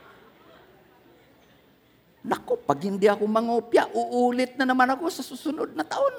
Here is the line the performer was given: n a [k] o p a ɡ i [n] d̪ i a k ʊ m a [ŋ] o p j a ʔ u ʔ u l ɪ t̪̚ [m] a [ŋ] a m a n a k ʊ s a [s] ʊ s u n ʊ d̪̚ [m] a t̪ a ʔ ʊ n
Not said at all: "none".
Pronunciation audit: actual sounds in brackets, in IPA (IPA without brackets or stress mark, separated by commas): k, n, ŋ, n, n, s, n